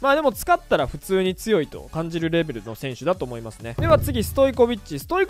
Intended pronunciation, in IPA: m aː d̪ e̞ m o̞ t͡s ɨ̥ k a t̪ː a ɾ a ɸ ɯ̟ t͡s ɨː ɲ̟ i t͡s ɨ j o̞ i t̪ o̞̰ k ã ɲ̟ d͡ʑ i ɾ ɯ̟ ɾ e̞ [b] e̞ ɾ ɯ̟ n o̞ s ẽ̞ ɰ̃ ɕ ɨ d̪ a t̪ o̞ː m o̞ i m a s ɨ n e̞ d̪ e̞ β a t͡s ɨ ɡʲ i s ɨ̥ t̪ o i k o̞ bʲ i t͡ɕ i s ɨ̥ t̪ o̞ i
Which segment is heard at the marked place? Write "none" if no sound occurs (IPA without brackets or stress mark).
b